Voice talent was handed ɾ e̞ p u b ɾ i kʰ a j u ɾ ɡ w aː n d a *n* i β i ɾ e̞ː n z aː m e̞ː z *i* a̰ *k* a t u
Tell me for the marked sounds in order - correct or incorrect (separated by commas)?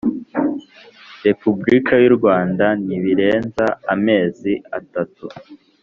correct, correct, incorrect